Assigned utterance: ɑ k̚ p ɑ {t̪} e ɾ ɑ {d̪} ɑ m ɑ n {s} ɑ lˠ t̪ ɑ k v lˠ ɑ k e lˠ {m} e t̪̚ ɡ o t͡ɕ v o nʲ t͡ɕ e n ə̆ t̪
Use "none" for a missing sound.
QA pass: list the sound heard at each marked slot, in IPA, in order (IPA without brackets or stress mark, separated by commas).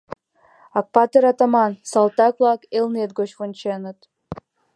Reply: t̪, t̪, s, n